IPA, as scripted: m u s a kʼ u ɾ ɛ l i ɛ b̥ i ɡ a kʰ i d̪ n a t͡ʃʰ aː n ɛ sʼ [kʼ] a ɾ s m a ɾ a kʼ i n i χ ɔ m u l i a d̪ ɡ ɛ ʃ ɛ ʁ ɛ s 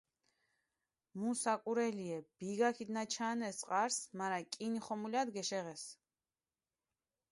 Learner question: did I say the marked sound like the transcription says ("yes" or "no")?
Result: no